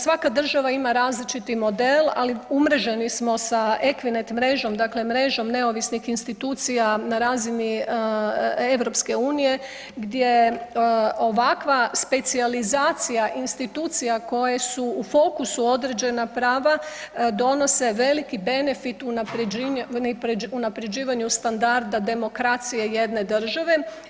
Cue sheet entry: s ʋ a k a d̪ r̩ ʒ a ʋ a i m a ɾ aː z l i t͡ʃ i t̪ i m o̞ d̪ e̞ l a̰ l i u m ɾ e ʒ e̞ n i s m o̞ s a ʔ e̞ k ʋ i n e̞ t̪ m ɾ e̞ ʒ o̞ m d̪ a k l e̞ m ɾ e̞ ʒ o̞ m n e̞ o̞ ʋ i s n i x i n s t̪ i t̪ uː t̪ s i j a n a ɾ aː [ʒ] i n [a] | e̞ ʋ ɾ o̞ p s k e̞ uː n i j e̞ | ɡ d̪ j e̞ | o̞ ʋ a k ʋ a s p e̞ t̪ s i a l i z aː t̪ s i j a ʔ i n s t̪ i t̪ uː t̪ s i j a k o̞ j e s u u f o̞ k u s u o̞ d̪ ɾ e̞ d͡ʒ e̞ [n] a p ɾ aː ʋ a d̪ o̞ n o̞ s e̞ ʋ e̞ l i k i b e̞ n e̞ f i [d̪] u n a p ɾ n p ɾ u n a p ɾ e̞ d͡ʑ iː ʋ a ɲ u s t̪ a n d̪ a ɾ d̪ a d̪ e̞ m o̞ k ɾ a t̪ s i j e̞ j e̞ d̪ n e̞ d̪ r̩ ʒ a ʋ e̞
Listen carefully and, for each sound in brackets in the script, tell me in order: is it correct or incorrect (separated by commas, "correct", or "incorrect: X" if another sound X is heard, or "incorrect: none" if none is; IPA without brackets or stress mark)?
incorrect: z, incorrect: i, correct, incorrect: t̪